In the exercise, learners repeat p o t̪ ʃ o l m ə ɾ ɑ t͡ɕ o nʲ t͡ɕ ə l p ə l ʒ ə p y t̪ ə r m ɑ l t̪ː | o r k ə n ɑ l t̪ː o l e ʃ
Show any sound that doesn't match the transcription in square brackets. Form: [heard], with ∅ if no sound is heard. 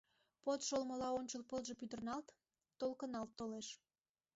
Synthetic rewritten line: p o t̪ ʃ o l m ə [l] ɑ [∅] o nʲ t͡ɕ ə l p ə l ʒ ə p y [d̪] ə r [n] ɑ l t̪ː | o [l] k ə n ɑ l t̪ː o l e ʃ